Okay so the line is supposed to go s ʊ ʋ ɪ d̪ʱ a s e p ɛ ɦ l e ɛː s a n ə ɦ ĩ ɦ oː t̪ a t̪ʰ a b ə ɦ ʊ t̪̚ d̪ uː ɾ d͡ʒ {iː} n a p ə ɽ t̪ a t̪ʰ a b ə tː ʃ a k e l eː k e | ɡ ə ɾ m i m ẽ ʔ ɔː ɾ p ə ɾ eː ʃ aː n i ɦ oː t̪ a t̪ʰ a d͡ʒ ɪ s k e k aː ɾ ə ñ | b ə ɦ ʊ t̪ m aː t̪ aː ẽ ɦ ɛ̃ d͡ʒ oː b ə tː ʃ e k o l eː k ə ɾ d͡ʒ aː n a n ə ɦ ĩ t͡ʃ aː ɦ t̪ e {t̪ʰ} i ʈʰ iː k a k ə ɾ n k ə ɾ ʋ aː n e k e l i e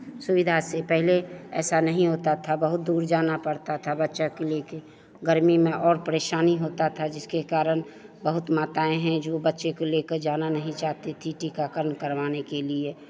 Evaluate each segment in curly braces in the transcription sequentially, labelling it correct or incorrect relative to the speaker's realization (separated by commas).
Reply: incorrect, correct